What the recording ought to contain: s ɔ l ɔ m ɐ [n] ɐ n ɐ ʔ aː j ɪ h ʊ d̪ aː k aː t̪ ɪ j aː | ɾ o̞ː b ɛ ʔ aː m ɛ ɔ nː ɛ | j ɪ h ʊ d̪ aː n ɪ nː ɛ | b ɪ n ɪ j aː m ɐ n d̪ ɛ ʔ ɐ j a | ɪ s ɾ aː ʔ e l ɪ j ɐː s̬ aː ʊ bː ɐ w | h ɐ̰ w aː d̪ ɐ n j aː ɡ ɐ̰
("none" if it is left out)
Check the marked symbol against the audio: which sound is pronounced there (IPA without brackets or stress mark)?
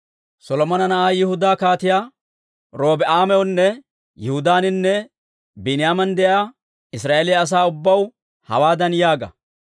n